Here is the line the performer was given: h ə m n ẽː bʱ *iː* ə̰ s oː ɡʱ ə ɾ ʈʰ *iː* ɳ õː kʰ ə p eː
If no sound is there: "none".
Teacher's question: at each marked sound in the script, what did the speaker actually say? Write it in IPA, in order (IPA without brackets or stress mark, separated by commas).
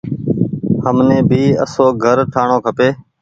iː, aː